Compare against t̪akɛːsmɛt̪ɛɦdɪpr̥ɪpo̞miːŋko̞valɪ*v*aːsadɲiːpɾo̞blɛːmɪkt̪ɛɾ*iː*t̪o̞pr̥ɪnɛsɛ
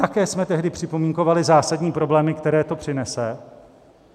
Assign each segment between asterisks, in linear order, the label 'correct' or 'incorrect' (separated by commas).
incorrect, incorrect